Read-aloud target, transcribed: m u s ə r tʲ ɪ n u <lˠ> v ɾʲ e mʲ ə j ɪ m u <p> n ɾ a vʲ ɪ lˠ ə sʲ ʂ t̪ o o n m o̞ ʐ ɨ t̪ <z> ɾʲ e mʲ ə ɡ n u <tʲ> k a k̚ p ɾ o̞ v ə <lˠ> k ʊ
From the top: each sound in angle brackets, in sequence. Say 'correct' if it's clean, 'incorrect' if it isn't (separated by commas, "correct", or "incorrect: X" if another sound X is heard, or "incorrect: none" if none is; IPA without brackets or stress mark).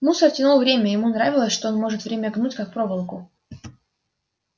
correct, incorrect: none, incorrect: v, correct, correct